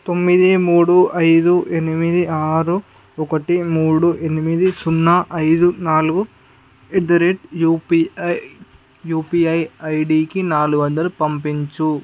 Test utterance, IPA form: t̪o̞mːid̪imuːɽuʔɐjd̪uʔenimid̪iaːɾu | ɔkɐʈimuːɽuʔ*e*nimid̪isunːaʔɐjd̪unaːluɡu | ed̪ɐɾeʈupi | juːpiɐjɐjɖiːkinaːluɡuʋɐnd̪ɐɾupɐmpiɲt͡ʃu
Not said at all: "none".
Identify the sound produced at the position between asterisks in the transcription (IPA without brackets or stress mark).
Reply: e